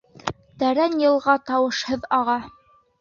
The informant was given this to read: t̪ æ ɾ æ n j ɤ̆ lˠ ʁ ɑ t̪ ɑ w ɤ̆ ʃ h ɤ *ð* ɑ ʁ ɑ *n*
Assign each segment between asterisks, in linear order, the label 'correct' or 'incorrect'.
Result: correct, incorrect

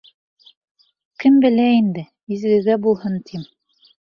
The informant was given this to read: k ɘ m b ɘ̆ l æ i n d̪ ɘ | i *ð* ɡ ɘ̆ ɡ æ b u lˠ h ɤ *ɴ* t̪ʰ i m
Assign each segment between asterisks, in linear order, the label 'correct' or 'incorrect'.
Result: incorrect, incorrect

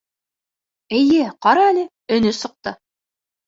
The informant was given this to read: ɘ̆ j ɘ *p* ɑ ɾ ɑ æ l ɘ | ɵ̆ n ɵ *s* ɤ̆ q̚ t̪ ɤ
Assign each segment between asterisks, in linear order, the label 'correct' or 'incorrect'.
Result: incorrect, correct

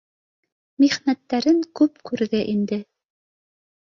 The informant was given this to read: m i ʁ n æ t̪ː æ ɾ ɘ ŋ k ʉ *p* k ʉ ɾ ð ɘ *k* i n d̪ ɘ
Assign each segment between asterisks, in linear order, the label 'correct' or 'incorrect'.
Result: correct, incorrect

